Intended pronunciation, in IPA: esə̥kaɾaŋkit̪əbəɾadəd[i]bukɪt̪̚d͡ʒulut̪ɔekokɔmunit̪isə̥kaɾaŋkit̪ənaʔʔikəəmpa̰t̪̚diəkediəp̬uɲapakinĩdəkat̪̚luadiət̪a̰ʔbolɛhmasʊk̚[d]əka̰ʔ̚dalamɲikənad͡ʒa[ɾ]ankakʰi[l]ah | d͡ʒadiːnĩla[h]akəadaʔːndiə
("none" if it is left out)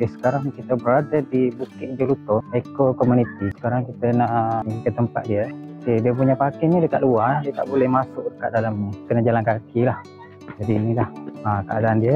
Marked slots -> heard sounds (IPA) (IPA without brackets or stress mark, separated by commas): i, d, l, l, h